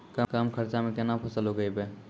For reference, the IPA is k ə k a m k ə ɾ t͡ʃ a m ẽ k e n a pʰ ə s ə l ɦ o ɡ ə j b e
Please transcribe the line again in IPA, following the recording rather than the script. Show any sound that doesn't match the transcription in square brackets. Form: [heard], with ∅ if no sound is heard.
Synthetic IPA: k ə k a m [kʰ] ə ɾ t͡ʃ a m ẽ k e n a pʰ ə s ə l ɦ o ɡ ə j b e